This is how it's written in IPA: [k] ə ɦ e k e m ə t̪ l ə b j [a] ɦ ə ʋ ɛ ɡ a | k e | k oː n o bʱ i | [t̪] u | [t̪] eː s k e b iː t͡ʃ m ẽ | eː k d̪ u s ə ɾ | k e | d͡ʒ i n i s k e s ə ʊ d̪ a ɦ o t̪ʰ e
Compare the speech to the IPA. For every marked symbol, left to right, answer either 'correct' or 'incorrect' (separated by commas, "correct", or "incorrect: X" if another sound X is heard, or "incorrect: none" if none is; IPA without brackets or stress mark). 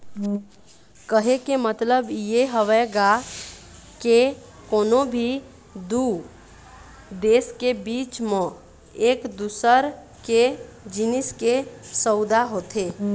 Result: correct, incorrect: e, incorrect: d̪, incorrect: d̪